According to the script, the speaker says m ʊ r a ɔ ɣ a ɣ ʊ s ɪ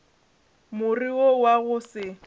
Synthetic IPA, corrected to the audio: m ʊ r i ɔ w a ɣ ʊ s ɪ